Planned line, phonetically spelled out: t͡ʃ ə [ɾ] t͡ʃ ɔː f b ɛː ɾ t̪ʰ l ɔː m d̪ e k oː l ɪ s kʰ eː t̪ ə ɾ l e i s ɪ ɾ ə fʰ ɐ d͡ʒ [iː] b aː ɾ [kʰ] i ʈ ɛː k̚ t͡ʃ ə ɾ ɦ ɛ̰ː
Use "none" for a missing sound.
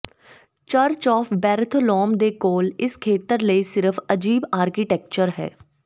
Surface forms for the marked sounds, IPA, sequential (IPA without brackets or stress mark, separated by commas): ɾ, iː, k